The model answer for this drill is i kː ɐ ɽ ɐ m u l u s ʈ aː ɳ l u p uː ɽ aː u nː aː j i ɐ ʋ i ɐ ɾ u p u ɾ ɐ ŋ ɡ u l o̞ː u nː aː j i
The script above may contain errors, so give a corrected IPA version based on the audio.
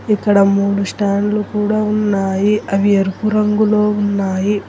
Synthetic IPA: i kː ɐ ɽ ɐ m uː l u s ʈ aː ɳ l u k uː ɽ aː u nː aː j i ɐ ʋ i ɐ ɾ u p u ɾ ɐ ŋ ɡ u l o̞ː u nː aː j i